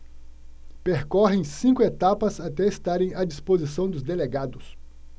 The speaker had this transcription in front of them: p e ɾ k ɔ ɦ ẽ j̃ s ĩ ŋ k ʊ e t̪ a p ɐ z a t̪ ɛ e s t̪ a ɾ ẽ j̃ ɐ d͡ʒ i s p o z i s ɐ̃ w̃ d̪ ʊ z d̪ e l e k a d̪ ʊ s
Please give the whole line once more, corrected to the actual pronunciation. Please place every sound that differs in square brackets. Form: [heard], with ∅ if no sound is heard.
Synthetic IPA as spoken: p e ɾ k ɔ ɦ ẽ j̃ s ĩ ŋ k ʊ e t̪ a p ɐ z a t̪ ɛ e s t̪ a ɾ ẽ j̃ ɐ d͡ʒ i s p o z i s ɐ̃ w̃ d̪ ʊ z d̪ e l e [ɡ] a d̪ ʊ s